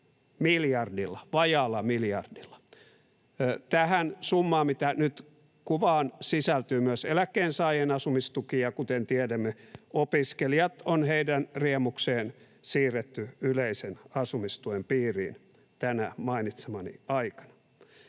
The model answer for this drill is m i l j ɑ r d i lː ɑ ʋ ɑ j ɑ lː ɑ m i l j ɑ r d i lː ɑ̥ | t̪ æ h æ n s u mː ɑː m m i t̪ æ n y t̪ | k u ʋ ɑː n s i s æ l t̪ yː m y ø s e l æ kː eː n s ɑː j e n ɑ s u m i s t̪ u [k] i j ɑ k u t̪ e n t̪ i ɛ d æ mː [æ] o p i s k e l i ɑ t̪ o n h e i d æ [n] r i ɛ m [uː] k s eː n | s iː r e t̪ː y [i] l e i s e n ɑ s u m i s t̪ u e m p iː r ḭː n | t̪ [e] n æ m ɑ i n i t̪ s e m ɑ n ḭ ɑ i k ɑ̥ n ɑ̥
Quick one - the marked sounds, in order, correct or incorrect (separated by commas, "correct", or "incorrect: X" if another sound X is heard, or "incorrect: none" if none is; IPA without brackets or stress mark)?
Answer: correct, incorrect: e, correct, incorrect: u, incorrect: y, incorrect: æ